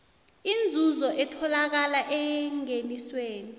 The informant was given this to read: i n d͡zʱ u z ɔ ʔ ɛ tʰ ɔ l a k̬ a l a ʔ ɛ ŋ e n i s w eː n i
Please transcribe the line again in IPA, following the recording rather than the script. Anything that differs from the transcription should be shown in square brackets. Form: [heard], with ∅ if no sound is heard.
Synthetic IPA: i n d͡zʱ u z ɔ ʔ ɛ tʰ ɔ l a k̬ a l a ʔ ɛ ŋ e n i s w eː n i